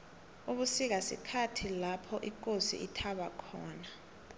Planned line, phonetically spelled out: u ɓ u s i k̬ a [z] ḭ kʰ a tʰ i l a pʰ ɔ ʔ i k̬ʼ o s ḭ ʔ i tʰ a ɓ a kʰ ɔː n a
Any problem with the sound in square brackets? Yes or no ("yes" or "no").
yes